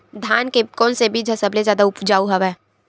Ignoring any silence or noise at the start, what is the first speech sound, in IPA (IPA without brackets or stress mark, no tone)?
d̪ʱ